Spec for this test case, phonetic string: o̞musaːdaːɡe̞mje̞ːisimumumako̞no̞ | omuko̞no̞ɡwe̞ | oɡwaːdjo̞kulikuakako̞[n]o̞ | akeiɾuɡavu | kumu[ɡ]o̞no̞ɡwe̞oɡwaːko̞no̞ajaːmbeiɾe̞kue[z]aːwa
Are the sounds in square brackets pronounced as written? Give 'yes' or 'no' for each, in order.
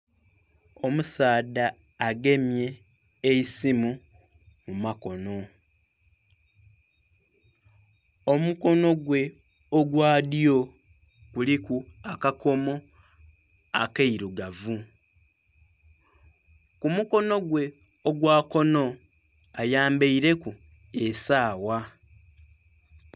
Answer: no, no, no

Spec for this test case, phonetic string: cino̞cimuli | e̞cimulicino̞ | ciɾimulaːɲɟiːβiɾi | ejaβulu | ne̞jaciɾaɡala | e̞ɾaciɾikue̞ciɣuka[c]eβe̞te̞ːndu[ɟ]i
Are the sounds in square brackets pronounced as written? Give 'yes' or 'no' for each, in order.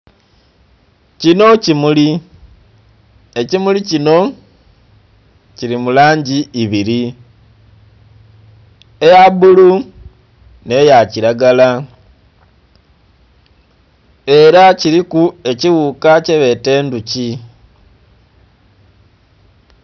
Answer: yes, no

